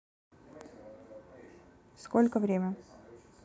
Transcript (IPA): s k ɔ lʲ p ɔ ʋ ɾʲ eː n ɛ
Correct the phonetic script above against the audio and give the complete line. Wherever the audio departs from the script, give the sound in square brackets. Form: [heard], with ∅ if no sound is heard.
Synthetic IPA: s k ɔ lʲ [k] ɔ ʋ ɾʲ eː [m] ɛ